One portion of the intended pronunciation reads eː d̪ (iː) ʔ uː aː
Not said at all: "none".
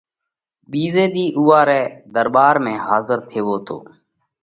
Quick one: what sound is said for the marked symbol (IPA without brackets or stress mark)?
iː